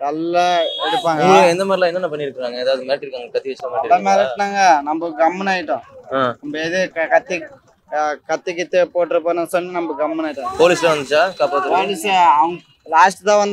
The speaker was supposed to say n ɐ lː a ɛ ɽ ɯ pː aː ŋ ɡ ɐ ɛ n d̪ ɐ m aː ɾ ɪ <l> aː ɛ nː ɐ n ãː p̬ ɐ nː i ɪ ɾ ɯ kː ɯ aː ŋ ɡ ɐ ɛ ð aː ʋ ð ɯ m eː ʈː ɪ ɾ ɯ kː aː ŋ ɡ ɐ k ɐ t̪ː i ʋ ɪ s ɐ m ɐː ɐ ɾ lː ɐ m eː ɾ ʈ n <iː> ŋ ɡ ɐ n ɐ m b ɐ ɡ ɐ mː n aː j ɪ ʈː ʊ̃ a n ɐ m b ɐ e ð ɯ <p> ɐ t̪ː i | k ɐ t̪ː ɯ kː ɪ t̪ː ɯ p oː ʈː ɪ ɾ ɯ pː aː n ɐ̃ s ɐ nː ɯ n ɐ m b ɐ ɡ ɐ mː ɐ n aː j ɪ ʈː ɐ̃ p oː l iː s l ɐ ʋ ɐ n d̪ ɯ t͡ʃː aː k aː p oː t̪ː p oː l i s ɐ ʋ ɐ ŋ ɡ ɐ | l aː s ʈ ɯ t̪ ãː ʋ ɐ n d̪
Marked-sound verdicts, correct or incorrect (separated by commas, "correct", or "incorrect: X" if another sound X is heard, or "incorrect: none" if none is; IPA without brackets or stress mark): correct, incorrect: aː, incorrect: k